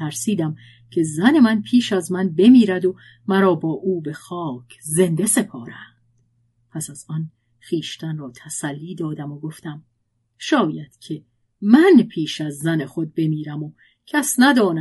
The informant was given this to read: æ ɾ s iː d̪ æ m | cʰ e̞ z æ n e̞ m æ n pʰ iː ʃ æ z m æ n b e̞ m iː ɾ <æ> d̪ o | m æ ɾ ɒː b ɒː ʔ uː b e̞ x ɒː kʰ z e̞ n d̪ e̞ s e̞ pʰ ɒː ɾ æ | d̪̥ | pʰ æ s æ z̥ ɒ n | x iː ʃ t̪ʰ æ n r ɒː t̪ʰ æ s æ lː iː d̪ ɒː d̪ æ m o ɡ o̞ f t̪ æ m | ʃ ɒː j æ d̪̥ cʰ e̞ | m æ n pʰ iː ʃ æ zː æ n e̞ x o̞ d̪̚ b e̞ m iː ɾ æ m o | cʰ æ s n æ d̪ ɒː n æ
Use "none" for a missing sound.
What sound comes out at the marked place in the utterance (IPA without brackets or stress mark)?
æ